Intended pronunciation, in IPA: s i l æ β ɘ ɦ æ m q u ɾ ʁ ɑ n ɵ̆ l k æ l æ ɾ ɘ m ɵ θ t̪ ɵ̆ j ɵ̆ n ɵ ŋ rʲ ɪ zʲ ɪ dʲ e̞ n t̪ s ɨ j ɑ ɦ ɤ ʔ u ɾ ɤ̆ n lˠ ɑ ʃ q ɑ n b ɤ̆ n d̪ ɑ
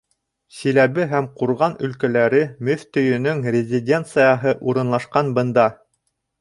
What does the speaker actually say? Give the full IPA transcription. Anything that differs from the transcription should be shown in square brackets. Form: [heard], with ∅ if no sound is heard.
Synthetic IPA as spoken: s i l æ β ɘ ɦ æ m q u ɾ ʁ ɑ n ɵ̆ l k æ l æ ɾ ɘ m ɵ θ t̪ ɵ̆ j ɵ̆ n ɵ ŋ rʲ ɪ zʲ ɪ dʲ e̞ n t̪ s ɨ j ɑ ɦ ɤ ʔ u ɾ ɤ̆ n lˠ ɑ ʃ q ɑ n b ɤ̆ n d̪ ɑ